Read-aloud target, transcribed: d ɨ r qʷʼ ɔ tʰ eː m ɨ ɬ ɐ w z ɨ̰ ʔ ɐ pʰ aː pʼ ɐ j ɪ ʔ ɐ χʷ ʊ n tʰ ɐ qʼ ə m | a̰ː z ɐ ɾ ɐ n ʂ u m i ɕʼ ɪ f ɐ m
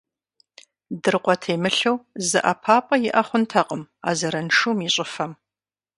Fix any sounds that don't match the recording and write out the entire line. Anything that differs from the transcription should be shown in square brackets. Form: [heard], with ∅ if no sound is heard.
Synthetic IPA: d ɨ r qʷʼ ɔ tʰ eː m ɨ ɬ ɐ w z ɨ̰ ʔ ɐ pʰ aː pʼ ɐ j ɪ ʔ ɐ χʷ ʊ n tʰ ɐ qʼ ə m | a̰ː z ɐ ɾ ɐ n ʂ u m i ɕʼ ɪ f ɐ m